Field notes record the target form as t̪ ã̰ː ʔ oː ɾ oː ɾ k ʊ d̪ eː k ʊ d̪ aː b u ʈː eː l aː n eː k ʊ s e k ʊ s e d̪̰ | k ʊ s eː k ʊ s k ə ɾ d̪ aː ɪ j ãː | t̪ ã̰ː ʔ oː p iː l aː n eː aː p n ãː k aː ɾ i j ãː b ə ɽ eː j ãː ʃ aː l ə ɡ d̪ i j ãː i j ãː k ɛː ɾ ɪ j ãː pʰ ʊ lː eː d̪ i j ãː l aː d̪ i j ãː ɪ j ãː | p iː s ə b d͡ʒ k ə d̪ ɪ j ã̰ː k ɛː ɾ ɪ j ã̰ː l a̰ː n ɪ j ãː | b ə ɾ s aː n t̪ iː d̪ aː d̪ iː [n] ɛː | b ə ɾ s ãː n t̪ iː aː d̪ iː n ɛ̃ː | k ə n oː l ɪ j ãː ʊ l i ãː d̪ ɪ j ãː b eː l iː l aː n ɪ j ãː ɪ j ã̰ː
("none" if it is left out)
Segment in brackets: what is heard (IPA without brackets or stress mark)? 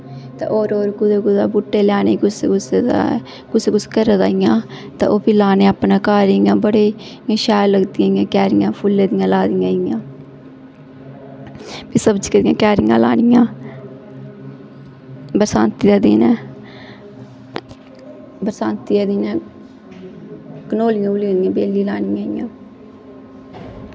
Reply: n